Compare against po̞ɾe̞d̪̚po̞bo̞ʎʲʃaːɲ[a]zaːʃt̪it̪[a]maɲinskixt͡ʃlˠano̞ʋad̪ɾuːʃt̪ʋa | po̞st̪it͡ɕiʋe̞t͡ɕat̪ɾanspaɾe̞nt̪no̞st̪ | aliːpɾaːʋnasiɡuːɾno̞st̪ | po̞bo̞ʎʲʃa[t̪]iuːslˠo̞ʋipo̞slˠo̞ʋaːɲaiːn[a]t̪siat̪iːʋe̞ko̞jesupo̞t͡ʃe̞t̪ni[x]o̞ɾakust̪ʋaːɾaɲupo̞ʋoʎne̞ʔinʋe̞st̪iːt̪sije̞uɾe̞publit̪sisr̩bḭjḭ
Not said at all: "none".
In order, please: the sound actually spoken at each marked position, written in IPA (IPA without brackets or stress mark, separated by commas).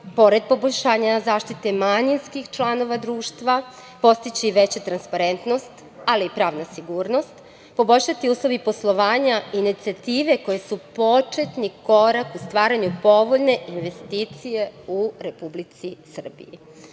a, e, t̪, i, k